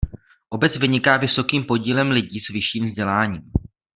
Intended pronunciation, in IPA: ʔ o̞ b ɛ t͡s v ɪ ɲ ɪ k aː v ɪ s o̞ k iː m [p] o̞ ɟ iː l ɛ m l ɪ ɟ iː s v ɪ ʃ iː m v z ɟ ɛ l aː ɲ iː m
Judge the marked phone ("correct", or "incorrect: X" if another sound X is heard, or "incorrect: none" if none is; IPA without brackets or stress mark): correct